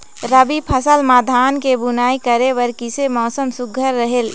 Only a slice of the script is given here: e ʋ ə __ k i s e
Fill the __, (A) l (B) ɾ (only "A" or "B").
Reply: B